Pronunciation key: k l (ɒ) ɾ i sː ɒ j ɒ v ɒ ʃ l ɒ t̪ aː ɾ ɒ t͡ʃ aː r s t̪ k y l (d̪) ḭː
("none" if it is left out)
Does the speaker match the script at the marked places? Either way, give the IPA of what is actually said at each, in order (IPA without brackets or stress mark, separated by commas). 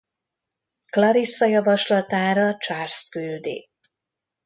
ɒ, d̪